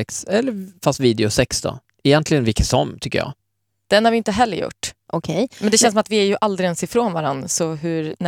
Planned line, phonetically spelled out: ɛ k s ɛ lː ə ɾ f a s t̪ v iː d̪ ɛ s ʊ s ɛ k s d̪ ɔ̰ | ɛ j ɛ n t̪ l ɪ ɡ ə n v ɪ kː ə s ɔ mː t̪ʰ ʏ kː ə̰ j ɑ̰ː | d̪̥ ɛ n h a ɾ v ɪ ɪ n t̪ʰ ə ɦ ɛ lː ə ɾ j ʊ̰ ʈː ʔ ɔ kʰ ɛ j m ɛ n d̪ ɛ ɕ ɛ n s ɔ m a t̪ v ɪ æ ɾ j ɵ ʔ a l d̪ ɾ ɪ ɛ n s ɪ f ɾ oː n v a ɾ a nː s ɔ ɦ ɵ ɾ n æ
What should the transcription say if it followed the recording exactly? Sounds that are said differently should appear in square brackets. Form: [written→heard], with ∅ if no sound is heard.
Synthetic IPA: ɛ k s ɛ lː ə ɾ f a s t̪ v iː d̪ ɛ [s→∅] ʊ s ɛ k s d̪ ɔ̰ | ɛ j ɛ n t̪ l ɪ ɡ ə n v ɪ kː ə s ɔ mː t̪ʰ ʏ kː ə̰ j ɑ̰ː | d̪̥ ɛ n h a ɾ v ɪ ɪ n [t̪ʰ→t̪] ə ɦ ɛ lː ə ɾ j ʊ̰ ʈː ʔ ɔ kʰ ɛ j m ɛ n d̪ ɛ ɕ ɛ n s ɔ m a t̪ v ɪ æ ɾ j ɵ ʔ a l d̪ ɾ ɪ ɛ n s ɪ f ɾ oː n v a ɾ a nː s ɔ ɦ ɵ ɾ n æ